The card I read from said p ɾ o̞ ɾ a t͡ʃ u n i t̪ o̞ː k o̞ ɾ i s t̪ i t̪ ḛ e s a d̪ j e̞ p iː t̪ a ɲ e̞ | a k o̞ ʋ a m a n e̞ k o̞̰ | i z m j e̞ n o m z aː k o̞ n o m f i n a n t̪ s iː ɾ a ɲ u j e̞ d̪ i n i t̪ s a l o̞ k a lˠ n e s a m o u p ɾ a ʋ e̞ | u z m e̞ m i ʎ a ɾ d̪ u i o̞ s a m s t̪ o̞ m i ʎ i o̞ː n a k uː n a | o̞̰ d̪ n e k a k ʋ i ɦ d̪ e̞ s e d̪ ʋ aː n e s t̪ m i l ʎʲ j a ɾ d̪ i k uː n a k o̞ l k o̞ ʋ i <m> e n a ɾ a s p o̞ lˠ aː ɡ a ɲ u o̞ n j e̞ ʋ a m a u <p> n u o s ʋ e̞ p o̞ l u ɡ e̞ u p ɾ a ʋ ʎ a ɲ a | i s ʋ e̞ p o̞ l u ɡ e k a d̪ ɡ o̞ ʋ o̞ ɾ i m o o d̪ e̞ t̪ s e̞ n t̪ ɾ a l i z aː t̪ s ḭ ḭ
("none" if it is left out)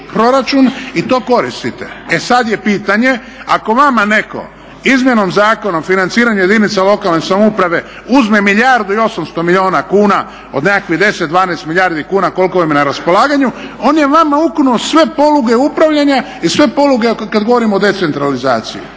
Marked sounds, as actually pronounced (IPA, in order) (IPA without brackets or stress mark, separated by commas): m, k